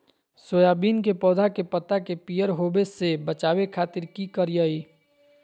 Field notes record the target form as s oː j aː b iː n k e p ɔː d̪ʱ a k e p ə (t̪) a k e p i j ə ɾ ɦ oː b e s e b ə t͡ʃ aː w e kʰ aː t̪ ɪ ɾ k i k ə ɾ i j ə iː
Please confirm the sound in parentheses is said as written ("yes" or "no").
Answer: yes